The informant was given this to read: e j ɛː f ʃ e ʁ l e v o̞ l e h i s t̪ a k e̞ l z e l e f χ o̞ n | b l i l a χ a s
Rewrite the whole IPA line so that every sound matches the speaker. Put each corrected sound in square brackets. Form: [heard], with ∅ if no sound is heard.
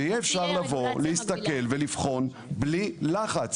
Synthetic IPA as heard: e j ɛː f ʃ [a] ʁ l [a] v o̞ l e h i s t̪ a k e̞ l [v] e l [i] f χ o̞ n | b l i l a χ a [t͡s]